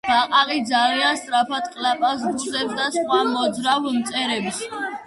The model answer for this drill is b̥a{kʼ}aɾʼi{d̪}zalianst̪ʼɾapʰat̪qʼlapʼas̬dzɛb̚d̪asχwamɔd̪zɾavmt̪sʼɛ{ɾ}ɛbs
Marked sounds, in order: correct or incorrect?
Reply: incorrect: qʼ, correct, correct

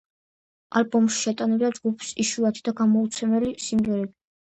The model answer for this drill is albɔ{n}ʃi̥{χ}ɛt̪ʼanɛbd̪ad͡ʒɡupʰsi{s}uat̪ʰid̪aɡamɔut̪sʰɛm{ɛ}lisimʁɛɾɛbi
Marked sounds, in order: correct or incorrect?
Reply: incorrect: m, incorrect: ʃ, incorrect: ʃ, correct

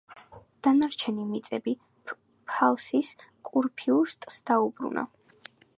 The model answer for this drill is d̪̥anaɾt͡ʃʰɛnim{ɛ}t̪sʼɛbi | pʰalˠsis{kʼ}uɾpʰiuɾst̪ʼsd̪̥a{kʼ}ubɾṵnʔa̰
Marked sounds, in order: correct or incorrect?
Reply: incorrect: i, correct, incorrect: none

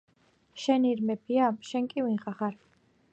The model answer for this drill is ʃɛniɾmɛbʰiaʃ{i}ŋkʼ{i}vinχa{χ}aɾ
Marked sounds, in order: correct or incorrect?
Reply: incorrect: ɛ, correct, correct

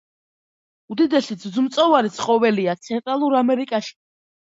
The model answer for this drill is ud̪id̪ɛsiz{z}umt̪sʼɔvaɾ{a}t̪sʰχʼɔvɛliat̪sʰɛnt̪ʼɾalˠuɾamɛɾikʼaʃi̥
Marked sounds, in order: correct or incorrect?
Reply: correct, incorrect: i

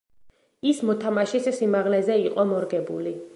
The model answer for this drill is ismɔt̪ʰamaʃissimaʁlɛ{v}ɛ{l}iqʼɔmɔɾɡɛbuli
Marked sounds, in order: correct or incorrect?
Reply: incorrect: z, incorrect: none

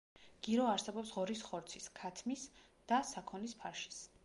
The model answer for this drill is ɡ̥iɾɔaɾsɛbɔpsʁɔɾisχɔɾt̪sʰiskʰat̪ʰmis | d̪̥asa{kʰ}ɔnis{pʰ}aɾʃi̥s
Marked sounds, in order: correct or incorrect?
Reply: correct, correct

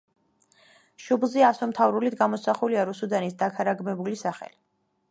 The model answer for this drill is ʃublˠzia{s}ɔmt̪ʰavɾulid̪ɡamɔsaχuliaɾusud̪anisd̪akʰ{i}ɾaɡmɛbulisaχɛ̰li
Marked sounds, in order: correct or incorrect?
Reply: correct, incorrect: a

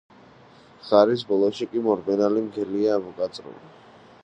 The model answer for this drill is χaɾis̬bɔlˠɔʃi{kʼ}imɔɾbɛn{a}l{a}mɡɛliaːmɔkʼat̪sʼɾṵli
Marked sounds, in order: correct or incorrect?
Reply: correct, correct, incorrect: i

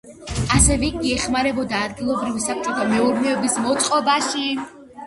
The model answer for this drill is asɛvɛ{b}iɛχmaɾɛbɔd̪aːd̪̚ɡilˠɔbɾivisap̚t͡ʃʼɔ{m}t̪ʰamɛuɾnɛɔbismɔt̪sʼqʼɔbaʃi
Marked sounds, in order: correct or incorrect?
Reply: incorrect: ɡ, incorrect: none

